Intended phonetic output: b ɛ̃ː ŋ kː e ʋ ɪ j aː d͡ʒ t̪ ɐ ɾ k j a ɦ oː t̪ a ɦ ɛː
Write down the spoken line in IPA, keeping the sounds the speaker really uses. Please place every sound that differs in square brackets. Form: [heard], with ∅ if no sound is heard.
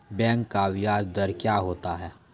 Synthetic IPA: b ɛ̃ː ŋ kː [a] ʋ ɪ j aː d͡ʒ [d̪] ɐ ɾ k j a ɦ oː t̪ a ɦ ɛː